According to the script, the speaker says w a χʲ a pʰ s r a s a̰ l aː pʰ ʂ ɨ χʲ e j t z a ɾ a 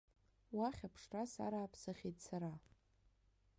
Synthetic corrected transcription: w a χʲ a pʰ ʂ r a s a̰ ɾ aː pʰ s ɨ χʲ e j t s a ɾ a

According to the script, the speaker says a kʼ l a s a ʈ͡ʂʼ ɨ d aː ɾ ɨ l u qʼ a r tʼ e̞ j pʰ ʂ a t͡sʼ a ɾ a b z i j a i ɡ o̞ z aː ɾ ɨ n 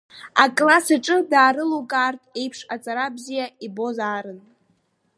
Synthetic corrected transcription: a kʼ l a s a ʈ͡ʂʼ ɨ d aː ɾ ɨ l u kʼ a r tʼ e̞ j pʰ ʂ a t͡sʼ a ɾ a b z i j a i b o̞ z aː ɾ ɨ n

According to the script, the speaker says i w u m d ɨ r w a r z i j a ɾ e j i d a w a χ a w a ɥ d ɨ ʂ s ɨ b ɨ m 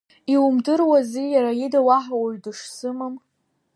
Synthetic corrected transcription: i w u m d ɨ r w a z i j a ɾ a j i d a w a ħ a w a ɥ d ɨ ʂ s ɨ m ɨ m

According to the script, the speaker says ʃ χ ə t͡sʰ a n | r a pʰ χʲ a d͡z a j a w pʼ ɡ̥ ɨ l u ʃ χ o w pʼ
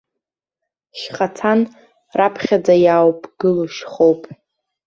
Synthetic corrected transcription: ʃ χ a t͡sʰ a n | r a pʰ χʲ a d͡z a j a w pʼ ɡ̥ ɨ l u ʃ χ o w pʼ

